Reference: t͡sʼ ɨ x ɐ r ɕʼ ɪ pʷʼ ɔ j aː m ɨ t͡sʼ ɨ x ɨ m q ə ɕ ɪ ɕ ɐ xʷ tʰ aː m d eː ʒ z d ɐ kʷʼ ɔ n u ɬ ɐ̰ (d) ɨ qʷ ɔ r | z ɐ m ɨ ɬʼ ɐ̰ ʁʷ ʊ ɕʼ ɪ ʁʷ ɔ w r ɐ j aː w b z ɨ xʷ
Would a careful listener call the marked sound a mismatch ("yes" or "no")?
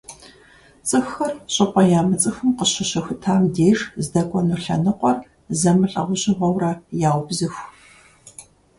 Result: yes